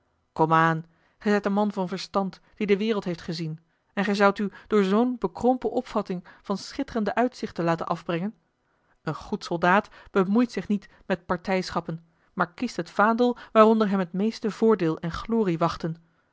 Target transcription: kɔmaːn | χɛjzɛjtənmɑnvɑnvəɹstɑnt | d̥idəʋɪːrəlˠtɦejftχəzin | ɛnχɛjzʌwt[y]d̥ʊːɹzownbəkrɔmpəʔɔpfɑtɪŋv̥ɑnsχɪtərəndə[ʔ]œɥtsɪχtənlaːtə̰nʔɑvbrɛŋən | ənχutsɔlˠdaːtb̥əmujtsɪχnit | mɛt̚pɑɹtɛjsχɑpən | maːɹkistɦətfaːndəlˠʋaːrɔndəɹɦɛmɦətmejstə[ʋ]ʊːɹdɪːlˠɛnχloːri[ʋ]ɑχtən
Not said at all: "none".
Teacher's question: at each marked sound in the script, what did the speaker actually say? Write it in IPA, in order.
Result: y, ʔ, v, ʋ

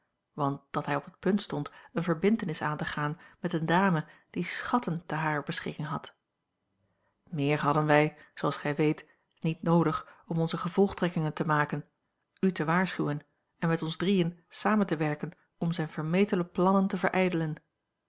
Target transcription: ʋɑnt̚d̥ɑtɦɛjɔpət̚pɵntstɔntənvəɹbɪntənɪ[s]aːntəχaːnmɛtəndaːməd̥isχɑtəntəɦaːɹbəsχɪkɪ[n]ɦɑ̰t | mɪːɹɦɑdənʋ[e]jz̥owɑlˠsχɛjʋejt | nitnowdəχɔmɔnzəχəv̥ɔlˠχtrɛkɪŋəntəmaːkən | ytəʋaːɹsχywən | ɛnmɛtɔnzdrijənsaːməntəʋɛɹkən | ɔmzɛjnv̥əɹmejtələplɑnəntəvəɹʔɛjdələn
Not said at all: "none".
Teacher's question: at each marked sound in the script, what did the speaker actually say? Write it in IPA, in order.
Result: s, ŋ, ɛ

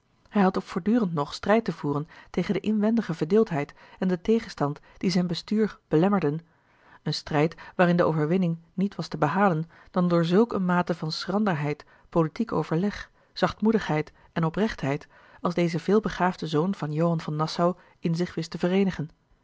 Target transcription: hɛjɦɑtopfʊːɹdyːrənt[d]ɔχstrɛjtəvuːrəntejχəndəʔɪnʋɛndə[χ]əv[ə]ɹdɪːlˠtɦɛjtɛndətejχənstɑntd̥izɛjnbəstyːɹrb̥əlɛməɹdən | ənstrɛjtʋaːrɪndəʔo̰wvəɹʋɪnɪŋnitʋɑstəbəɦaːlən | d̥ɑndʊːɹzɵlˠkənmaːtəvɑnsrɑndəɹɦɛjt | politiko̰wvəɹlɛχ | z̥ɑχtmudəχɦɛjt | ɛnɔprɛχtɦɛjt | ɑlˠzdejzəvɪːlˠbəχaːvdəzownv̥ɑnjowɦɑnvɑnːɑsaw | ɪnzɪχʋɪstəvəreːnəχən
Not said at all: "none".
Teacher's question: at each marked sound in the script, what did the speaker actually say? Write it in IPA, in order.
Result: n, χ, ə

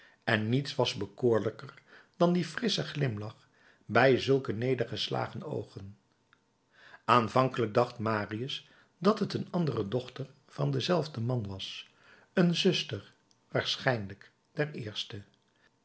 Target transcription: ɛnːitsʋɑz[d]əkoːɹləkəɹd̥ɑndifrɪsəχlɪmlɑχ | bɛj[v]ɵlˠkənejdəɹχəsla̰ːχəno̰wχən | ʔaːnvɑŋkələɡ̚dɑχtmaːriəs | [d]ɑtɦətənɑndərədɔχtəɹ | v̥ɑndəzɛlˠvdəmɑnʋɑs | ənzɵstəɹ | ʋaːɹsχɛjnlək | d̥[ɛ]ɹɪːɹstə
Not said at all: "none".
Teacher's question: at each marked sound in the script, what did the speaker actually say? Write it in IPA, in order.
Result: b, z, d, ɛ

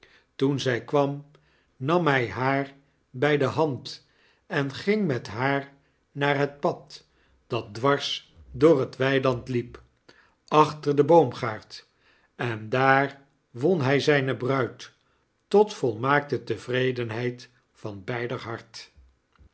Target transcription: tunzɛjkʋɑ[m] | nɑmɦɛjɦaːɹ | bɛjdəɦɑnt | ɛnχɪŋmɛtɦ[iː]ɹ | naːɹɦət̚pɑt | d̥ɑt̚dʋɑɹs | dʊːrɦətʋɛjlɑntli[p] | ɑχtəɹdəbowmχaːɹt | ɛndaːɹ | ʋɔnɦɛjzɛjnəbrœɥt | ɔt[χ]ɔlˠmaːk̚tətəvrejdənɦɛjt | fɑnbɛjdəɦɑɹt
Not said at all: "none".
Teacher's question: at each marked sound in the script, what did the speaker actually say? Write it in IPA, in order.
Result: m, aː, p, f

